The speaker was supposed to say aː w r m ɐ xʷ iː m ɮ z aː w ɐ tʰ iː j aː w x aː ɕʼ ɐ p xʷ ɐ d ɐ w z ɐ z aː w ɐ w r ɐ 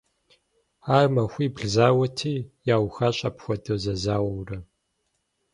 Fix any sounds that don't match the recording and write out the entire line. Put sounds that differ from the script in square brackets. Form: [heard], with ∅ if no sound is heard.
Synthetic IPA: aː [∅] r m ɐ xʷ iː [b] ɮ z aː w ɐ tʰ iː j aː w x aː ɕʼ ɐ p xʷ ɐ d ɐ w z ɐ z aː w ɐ w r ɐ